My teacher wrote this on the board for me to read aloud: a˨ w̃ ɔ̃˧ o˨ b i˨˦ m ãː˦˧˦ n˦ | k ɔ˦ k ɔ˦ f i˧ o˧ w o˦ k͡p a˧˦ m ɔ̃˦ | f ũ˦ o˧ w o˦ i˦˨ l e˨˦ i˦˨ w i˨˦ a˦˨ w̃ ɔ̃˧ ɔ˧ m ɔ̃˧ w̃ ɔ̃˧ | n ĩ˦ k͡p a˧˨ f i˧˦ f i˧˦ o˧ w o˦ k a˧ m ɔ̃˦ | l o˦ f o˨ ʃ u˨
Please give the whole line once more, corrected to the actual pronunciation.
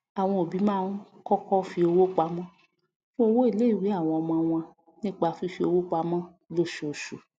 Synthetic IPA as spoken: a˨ w̃ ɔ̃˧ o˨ b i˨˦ m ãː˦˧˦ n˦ | k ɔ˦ k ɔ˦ f i˧ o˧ w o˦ k͡p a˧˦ m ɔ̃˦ | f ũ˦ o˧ w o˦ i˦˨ l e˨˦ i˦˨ w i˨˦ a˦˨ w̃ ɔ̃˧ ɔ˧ m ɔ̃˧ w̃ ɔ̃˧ | n ĩ˦ k͡p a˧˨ f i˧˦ f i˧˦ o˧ w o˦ k͡p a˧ m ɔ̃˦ | l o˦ ʃ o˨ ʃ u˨